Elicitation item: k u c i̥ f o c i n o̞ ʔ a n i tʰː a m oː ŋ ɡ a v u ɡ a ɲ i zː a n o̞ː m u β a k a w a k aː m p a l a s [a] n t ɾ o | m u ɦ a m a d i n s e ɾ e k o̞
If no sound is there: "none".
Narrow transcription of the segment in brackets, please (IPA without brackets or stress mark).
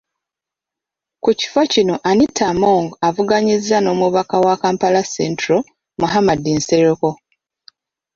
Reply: e